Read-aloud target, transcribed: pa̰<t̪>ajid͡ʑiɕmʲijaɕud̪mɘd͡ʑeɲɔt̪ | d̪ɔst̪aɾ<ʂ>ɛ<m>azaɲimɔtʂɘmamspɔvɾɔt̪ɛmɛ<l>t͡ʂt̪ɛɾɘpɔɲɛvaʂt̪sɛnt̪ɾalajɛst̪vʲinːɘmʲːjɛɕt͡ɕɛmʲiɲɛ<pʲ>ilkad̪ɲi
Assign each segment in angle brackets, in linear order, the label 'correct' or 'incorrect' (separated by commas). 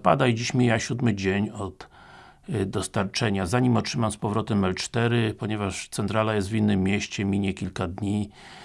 incorrect, incorrect, incorrect, correct, incorrect